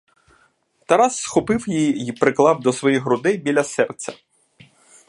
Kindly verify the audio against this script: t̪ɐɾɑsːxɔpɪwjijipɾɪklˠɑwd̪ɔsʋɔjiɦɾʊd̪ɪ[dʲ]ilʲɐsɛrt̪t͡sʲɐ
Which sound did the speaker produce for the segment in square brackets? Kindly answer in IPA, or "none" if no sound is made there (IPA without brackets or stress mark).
bʲ